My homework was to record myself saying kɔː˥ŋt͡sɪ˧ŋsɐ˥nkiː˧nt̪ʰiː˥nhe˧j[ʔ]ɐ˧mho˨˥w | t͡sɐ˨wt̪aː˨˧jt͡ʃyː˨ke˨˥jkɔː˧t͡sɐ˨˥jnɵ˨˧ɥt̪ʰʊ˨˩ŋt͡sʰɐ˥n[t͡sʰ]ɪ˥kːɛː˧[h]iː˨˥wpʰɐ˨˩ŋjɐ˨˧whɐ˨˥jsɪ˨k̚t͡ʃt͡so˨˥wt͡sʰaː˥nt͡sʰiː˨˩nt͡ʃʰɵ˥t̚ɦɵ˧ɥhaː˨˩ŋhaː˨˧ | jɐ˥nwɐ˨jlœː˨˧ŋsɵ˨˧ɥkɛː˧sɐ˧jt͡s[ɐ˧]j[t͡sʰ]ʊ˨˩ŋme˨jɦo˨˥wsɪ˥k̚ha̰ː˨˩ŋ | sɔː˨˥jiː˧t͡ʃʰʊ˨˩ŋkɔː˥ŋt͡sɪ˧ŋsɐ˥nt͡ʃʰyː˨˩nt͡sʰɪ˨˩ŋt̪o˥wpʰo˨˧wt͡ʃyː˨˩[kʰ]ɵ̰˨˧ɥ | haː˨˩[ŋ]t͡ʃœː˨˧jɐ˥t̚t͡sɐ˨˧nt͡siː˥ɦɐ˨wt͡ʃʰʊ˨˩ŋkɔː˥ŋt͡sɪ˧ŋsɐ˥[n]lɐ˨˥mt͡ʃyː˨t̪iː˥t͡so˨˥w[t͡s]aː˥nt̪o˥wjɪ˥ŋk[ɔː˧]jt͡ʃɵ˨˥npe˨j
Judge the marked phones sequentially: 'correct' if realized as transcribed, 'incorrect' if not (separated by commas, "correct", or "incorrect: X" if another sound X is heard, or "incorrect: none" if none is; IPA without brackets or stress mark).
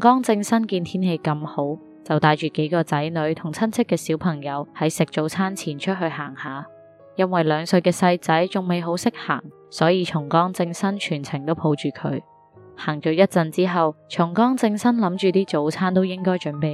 incorrect: k, correct, incorrect: s, incorrect: ɐ˨˥, incorrect: t͡s, correct, correct, correct, incorrect: t͡sʰ, incorrect: ɔː˥